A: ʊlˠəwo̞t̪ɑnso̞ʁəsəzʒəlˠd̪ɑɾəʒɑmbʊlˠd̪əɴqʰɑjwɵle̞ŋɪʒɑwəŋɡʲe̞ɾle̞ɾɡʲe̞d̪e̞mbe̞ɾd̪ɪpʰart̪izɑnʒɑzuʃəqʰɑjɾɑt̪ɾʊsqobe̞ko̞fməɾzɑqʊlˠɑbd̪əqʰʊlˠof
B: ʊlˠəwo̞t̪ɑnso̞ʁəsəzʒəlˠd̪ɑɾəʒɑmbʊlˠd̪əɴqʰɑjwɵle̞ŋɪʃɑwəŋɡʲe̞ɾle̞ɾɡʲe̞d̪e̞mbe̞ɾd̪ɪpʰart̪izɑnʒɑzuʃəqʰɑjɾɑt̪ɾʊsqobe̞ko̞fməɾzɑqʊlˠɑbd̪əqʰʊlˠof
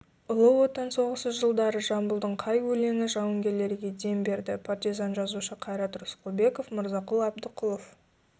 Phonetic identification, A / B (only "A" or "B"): A